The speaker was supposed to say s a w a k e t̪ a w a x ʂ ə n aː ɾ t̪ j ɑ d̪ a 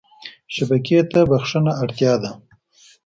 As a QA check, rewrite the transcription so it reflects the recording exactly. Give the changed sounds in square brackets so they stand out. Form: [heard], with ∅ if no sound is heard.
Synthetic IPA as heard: [ʃ] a [b] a k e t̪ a [b] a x ʂ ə n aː [ɽ] t̪ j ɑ d̪ a

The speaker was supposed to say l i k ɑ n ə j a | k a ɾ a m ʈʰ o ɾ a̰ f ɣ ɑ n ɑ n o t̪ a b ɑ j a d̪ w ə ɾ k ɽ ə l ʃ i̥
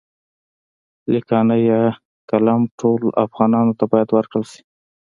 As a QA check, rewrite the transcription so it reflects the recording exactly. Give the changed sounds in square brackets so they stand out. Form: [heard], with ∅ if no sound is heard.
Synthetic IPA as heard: l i k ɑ n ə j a | k a [l] a m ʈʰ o [l] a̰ f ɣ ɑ n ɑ n o t̪ a b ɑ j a d̪ w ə ɾ k ɽ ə l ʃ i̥

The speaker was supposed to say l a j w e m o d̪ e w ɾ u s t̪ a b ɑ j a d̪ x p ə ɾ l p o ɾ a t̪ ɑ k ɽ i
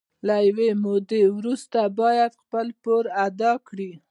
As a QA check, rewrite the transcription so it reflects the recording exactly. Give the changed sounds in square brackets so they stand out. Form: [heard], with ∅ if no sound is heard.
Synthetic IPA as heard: l a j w e m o d̪ e w ɾ u s t̪ a b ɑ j a d̪ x p ə [∅] l p o ɾ a [d̪] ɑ k ɽ i

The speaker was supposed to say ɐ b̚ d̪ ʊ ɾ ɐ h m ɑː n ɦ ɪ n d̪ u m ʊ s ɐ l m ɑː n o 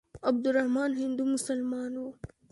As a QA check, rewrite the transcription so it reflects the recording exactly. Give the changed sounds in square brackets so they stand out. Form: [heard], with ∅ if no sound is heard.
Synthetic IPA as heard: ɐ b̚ d̪ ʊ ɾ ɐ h m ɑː n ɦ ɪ n d̪ u m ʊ s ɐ l m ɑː n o

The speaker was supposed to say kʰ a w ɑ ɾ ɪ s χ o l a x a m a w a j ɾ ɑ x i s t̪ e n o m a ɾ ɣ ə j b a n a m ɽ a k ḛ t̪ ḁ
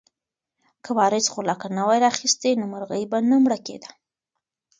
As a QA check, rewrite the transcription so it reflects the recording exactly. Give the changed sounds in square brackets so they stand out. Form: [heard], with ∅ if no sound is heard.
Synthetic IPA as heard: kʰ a w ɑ ɾ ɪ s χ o l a [k] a [n] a w a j ɾ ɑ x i s t̪ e n o m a ɾ ɣ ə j b a n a m ɽ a k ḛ [d̪] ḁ

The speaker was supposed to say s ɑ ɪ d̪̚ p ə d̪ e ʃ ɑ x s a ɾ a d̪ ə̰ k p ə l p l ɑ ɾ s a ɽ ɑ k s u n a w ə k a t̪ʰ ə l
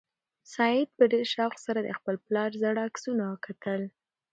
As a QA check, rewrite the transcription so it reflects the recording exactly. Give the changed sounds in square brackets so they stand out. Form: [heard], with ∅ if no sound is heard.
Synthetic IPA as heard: s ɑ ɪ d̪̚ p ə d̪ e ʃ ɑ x s a ɾ a d̪ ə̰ [x] p ə l p l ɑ ɾ [z] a ɽ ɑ k s u n a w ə k a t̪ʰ ə l

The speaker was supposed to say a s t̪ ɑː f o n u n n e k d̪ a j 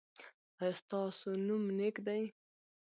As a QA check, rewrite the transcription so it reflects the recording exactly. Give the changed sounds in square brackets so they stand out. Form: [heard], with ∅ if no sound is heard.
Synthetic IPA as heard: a s t̪ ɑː [s] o n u [m] n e k d̪ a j

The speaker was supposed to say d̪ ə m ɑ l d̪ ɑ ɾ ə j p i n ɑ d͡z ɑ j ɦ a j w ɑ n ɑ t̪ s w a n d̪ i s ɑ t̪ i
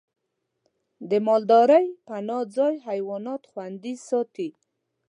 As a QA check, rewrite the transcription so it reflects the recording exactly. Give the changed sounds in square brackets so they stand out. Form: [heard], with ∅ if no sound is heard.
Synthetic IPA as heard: d̪ ə m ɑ l d̪ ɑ ɾ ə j p [a] n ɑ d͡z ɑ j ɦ a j w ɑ n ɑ t̪ [x] w a n d̪ i s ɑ t̪ i

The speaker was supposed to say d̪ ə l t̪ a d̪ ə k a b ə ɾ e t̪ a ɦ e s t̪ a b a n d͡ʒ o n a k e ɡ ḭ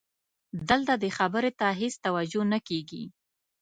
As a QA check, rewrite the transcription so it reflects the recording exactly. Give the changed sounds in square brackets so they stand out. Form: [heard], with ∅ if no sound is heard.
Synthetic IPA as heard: d̪ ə l t̪ a d̪ ə [x] a b ə ɾ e t̪ a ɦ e s t̪ a [w] a [∅] d͡ʒ o n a k e ɡ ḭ

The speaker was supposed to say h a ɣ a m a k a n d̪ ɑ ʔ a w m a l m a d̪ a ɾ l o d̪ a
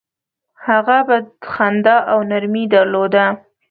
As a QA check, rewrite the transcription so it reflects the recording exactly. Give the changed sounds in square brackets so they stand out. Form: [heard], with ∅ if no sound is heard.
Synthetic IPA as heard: h a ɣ a [b] a [x] a n d̪ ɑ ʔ a w [n] a [ɾ] m [i] d̪ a ɾ l o d̪ a

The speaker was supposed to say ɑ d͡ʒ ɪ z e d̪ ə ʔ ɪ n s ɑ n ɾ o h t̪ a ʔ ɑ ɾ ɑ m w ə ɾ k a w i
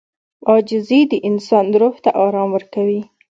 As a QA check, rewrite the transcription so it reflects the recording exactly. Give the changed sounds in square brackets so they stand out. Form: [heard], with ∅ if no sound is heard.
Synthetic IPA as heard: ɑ d͡ʒ ɪ z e d̪ ə ʔ ɪ n s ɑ n ɾ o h t̪ a ʔ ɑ ɾ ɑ m w ə ɾ k a w i

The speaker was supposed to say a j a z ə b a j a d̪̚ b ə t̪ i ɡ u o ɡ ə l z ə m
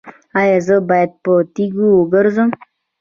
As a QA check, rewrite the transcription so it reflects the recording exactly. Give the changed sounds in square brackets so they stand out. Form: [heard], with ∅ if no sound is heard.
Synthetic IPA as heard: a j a z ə b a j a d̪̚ [p] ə t̪ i ɡ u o ɡ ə [ɾ] z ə m

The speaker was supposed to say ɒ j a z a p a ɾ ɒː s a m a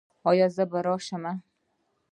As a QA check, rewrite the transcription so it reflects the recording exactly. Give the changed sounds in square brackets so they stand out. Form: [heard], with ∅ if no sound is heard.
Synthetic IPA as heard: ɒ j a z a [b] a ɾ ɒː [ʃ] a m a

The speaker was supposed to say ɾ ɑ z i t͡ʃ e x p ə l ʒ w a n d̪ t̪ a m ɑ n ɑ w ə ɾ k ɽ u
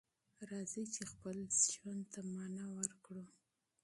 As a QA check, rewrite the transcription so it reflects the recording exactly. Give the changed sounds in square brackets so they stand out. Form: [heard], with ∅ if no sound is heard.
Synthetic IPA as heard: ɾ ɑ z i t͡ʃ e x p ə l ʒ w a n d̪ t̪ a m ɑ n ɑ w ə ɾ k ɽ u

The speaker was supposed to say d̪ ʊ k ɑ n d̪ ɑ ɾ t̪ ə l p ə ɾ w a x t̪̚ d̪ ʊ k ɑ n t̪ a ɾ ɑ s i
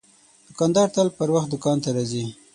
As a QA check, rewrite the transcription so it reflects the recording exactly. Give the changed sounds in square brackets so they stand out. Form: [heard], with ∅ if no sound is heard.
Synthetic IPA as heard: d̪ ʊ k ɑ n d̪ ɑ ɾ t̪ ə l p ə ɾ w a x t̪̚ d̪ ʊ k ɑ n t̪ a ɾ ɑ [z] i

